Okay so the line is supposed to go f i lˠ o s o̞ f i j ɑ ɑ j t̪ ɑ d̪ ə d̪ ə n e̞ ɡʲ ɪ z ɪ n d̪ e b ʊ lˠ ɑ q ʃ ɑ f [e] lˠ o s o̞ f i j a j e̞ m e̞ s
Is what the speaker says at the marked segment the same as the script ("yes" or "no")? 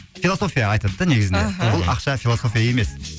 no